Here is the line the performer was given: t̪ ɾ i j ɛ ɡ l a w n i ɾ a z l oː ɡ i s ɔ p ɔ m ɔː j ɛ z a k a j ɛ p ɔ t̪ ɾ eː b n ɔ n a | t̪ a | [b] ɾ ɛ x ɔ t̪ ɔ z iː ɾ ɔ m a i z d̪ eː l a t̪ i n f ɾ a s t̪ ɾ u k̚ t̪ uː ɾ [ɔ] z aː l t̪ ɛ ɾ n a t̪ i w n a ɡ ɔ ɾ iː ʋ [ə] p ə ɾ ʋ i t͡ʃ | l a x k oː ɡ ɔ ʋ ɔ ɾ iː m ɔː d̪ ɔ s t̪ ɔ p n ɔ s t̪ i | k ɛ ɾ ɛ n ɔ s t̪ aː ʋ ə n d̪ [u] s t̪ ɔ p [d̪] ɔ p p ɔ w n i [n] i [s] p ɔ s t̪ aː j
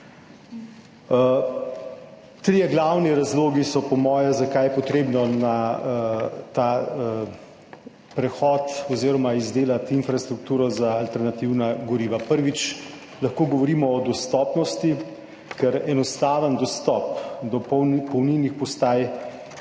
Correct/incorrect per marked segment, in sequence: incorrect: p, correct, incorrect: a, incorrect: ɔ, correct, correct, incorrect: x

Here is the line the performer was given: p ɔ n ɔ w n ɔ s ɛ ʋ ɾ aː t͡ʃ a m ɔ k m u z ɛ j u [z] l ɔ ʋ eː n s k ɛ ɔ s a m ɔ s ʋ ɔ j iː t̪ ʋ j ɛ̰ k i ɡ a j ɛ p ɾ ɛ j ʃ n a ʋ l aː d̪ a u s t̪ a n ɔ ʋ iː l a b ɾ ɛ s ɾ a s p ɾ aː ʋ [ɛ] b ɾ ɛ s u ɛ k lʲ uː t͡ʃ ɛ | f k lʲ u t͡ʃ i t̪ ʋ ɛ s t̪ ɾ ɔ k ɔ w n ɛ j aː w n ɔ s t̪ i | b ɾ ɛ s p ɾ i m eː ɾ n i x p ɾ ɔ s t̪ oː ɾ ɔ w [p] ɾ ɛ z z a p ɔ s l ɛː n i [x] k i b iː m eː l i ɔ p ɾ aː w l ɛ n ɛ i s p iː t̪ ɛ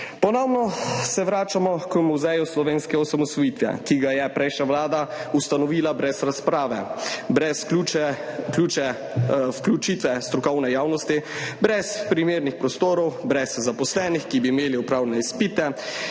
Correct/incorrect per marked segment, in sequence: incorrect: s, correct, incorrect: b, correct

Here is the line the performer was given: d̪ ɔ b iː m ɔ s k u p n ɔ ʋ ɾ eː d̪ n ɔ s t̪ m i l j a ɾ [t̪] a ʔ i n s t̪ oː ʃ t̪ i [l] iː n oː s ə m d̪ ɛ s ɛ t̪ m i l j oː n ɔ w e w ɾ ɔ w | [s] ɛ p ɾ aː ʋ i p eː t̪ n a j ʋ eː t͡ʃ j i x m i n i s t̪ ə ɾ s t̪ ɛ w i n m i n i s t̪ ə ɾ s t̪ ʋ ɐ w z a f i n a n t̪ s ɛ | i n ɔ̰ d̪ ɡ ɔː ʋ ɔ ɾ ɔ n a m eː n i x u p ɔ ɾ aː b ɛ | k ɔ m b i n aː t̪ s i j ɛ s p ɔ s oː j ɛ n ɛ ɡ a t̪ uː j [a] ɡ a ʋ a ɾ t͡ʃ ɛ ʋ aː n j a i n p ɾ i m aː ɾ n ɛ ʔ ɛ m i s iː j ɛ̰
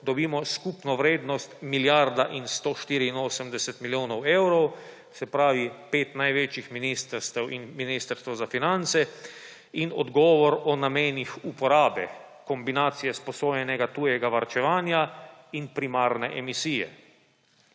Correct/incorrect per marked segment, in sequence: incorrect: d̪, incorrect: ɾ, correct, incorrect: ɛ

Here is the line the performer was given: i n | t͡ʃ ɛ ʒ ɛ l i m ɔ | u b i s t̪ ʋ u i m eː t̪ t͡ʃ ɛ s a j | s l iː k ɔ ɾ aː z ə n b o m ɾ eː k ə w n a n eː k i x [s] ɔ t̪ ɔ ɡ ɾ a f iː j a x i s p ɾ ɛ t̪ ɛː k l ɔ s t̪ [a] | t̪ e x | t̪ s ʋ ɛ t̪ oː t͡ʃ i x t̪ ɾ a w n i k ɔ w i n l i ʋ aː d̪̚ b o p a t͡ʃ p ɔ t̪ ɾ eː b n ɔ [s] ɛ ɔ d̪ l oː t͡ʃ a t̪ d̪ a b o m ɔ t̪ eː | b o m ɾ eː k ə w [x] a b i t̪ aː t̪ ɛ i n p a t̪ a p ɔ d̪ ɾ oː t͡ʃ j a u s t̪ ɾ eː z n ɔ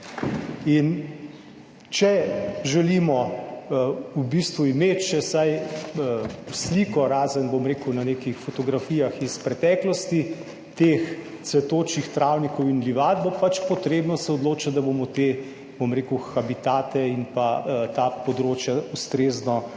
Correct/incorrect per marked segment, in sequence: incorrect: f, incorrect: i, correct, correct

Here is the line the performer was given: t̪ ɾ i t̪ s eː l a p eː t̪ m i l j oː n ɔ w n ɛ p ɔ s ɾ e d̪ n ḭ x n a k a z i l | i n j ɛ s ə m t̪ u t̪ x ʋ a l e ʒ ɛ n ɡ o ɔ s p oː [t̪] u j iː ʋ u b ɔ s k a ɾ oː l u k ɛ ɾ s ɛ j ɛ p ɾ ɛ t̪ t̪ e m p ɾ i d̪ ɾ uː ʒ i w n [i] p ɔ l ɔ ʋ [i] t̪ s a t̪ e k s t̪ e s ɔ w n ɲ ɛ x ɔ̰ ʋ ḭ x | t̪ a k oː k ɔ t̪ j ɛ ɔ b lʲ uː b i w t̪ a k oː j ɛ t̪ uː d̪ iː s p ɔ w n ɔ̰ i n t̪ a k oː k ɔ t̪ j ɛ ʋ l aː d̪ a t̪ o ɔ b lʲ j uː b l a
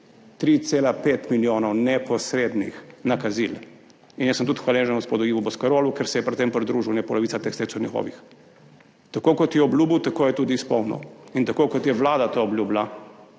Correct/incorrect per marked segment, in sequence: incorrect: d̪, incorrect: ɛ, correct

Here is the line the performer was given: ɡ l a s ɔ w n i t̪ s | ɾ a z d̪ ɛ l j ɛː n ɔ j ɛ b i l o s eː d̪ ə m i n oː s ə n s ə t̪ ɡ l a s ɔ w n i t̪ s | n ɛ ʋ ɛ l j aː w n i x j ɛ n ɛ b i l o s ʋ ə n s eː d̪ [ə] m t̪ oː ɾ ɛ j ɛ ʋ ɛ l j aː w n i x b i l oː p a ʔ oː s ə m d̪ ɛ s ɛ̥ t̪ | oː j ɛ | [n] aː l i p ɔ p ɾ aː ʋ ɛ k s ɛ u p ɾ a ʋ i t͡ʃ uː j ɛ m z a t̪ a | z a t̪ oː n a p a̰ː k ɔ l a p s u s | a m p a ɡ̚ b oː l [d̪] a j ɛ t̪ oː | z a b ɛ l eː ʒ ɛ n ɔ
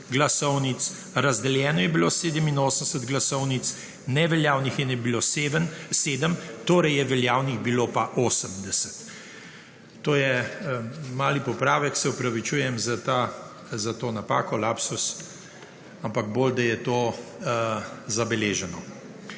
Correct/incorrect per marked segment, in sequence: correct, incorrect: m, correct

